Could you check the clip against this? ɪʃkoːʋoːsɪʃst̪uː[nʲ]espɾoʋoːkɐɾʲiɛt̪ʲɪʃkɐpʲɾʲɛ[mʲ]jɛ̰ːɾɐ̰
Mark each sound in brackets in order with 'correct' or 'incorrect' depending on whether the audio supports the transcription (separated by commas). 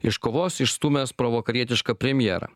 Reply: incorrect, correct